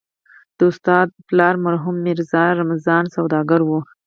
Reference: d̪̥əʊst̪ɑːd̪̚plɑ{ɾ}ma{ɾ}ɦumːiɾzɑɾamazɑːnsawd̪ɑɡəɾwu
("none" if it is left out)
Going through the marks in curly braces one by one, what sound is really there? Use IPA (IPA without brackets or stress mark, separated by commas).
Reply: ɾ, ɾ